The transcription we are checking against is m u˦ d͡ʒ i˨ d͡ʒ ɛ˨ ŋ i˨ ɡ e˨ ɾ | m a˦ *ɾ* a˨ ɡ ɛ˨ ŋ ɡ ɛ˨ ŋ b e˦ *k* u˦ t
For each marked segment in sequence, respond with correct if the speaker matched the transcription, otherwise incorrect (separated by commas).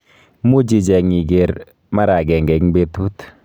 correct, incorrect